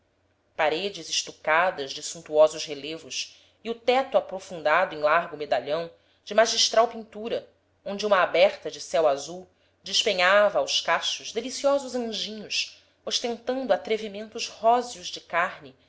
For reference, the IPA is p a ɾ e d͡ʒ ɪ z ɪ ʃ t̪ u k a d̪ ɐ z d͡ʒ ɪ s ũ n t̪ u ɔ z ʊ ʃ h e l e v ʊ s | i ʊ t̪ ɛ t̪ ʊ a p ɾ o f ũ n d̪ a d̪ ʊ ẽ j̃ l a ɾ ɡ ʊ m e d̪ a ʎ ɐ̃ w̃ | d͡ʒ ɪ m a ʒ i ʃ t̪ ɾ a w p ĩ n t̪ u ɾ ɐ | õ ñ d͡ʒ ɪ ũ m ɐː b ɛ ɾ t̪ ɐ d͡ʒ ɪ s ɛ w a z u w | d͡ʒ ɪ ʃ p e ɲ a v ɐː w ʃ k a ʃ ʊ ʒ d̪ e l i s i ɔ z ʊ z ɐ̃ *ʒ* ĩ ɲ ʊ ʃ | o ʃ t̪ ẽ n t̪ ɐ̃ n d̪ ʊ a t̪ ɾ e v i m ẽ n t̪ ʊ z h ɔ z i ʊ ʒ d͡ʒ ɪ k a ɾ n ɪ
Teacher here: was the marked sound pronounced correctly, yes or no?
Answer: yes